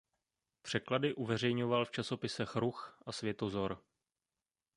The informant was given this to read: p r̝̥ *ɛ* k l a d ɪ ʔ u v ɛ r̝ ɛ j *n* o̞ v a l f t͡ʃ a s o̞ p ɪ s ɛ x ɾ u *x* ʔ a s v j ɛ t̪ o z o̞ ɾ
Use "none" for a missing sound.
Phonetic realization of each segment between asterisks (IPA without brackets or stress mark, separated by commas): ɛ, ɲ, x